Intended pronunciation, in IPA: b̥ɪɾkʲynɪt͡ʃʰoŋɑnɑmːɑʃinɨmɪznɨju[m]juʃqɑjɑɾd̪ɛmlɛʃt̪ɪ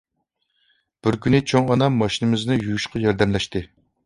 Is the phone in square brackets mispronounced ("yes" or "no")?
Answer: yes